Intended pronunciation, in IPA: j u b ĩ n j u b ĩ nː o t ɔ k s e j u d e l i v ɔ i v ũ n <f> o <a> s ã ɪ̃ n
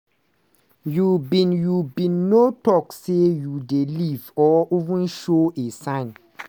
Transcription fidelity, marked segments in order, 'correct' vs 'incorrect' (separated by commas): incorrect, incorrect